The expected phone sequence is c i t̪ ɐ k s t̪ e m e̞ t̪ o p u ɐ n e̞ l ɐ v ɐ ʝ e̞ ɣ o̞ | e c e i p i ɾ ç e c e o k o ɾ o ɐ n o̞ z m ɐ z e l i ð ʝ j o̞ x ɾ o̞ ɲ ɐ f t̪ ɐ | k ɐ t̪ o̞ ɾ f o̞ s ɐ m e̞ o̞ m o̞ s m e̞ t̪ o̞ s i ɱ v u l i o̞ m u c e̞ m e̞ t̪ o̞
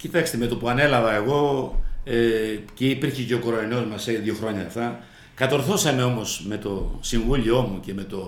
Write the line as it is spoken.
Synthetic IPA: c i t̪ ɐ k s t̪ e m e̞ t̪ o p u ɐ n e̞ l ɐ v ɐ e̞ ɣ o̞ | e c e i p i ɾ ç e c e o k o ɾ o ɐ n o̞ z m ɐ s e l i ð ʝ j o̞ x ɾ o̞ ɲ ɐ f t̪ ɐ | k ɐ t̪ o̞ ɾ θ o̞ s ɐ m e̞ o̞ m o̞ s m e̞ t̪ o̞ s i ɱ v u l i o̞ m u c e̞ m e̞ t̪ o̞